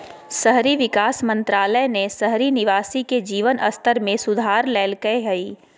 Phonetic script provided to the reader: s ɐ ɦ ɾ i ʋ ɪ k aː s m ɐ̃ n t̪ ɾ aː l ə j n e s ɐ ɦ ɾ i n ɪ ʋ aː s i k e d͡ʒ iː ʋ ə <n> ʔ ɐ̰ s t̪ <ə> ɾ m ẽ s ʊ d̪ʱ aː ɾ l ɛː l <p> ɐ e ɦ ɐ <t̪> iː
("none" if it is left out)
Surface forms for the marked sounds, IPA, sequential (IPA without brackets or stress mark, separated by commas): n, ə, k, none